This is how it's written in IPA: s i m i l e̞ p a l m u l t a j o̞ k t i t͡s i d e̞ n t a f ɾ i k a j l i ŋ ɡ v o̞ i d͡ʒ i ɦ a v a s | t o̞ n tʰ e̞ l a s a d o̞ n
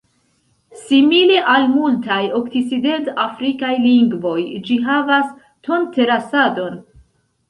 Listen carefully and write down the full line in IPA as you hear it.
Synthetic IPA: s i m i l e̞ ʔ a l m u l t a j o̞ k t i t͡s i d e̞ n t a f ɾ i k a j l i ŋ ɡ v o̞ j d͡ʒ i ɦ a v a s | t o̞ n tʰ e̞ ɾ a s a d o̞ n